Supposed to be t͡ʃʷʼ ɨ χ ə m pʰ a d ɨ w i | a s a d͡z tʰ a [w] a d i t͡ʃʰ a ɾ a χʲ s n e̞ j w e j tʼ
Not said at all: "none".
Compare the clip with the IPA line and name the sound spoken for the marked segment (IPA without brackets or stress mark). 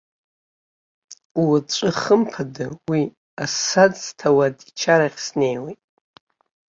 w